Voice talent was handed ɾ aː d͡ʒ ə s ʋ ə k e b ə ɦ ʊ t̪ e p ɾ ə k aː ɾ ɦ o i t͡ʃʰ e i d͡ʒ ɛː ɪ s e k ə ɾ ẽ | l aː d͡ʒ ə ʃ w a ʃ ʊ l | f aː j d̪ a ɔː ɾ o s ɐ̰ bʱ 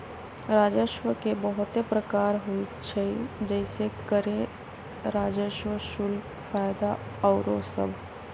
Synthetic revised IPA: ɾ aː d͡ʒ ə ʃ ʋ ə k e b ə ɦ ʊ t̪ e p ɾ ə k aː ɾ ɦ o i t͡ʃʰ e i d͡ʒ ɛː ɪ s e k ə ɾ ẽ | ɾ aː d͡ʒ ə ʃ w ə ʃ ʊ l | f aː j d̪ a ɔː ɾ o s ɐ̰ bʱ